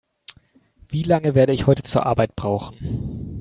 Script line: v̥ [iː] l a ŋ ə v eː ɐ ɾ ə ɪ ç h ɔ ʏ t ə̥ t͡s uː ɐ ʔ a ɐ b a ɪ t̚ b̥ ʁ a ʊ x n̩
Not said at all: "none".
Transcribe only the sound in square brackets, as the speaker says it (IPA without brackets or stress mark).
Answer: iː